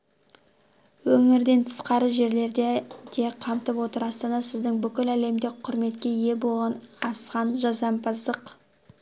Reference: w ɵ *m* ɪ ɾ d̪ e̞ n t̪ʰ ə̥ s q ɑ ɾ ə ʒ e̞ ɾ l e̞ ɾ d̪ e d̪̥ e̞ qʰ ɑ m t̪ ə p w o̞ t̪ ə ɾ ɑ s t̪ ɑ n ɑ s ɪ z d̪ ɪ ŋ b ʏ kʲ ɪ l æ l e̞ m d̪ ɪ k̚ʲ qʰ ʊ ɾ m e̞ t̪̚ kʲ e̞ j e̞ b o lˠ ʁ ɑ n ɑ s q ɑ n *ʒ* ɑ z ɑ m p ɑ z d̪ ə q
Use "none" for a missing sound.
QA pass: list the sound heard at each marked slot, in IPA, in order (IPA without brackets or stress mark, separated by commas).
ŋ, ʒ